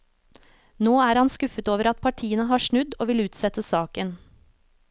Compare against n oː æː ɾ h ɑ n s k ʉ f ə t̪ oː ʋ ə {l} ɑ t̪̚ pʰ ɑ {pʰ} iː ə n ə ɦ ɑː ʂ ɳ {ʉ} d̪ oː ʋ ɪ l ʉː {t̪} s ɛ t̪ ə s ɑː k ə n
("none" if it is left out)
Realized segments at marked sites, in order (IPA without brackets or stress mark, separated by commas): ɾ, ʈʰ, ʉ, t̪